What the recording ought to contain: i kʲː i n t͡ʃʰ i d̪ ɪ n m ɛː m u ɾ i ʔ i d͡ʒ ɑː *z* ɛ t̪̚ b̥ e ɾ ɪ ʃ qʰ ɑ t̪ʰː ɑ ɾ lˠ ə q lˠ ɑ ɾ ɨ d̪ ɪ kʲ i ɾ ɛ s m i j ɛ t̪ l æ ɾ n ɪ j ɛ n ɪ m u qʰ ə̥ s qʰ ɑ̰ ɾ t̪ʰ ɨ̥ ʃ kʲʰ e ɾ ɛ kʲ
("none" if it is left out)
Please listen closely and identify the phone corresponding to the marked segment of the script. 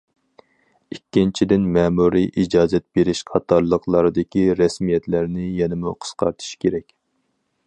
z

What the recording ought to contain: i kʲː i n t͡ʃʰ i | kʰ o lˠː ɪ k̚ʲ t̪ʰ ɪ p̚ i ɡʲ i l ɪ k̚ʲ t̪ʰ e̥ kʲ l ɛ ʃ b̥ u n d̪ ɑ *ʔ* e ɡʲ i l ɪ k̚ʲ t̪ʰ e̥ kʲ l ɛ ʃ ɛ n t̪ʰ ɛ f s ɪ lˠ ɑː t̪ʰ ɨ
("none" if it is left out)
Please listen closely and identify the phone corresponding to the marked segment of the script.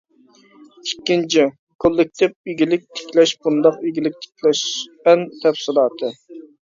q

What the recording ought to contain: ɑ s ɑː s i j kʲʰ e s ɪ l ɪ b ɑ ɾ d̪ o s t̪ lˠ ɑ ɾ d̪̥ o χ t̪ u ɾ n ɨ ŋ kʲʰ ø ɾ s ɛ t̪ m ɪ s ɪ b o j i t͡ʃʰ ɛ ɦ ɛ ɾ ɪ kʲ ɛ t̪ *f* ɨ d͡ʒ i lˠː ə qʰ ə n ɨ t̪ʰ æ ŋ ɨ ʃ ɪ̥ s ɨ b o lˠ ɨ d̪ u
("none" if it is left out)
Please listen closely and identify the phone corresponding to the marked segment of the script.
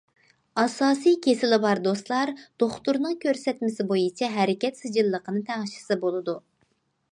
s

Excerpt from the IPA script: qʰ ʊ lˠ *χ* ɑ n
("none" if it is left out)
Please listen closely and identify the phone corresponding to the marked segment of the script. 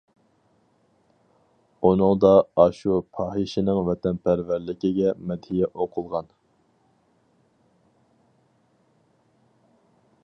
ʁ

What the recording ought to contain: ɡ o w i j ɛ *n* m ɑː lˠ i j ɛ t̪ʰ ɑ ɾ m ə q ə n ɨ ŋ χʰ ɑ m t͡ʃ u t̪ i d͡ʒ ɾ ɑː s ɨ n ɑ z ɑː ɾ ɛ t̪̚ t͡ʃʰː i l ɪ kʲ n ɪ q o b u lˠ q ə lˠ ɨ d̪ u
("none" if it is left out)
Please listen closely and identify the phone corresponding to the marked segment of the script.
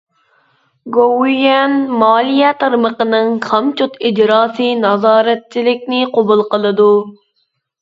n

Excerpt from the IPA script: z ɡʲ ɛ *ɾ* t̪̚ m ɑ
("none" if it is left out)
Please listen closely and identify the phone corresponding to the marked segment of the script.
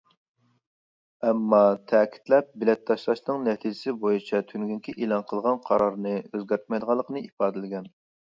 ɾ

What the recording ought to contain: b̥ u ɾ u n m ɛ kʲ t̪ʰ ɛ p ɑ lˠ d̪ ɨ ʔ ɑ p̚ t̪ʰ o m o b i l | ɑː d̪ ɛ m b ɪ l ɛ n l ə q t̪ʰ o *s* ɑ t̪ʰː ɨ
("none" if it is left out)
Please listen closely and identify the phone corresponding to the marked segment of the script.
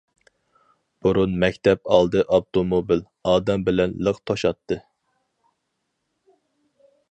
ʃ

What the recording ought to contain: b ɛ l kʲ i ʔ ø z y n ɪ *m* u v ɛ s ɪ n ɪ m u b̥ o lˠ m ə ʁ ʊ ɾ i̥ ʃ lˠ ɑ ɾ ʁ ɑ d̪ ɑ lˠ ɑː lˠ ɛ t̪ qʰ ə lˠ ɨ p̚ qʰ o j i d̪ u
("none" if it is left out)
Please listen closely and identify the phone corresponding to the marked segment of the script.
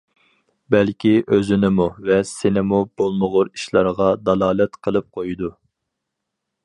m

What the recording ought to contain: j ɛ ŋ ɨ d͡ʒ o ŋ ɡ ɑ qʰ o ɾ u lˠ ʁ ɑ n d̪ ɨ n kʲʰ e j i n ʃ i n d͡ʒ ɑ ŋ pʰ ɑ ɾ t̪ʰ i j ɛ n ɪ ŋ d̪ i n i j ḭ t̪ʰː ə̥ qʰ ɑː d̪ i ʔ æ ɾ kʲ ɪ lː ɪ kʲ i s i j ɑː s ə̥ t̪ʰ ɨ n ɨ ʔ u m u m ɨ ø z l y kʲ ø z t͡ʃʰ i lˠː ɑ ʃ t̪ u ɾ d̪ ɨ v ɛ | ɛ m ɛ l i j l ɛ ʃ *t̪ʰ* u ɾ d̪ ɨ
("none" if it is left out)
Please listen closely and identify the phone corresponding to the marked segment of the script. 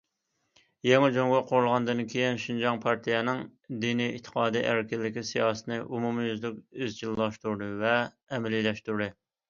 t̪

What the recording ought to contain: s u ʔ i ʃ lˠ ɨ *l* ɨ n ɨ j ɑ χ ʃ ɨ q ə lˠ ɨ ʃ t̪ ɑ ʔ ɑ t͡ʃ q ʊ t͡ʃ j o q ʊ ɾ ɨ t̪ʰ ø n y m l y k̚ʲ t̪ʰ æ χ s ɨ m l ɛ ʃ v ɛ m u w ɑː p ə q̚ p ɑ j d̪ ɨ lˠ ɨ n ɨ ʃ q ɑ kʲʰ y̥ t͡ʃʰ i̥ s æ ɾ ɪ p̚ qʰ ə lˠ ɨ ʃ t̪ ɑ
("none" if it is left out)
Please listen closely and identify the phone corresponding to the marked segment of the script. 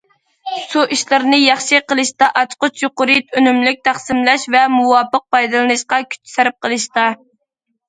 ɾ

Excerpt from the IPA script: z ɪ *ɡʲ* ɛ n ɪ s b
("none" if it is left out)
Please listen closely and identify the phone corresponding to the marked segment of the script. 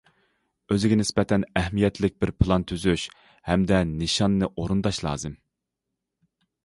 ɡʲ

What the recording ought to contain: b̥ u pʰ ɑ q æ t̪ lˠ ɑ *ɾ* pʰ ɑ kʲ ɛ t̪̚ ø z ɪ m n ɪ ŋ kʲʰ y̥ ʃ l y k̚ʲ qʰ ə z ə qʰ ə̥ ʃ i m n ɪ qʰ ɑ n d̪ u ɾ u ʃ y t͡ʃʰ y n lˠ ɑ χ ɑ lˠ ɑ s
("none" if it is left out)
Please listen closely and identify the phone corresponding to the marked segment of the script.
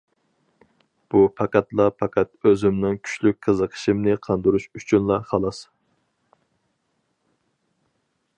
none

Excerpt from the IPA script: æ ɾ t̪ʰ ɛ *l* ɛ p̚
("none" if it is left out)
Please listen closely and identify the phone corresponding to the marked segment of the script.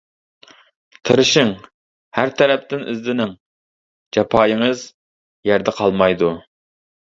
ɾ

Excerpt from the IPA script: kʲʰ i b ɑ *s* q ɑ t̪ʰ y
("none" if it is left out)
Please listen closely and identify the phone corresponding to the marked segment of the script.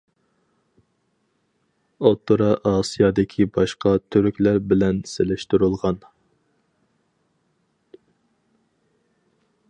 ʃ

